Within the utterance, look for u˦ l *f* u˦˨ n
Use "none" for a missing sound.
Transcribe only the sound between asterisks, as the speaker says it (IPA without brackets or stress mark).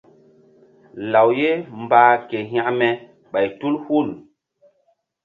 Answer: h